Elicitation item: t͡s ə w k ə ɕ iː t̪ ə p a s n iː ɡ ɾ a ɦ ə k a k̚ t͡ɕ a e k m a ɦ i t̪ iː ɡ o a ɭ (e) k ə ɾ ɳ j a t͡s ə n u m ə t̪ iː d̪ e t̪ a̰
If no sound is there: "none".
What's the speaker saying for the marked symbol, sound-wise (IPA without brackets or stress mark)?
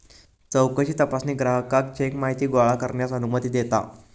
a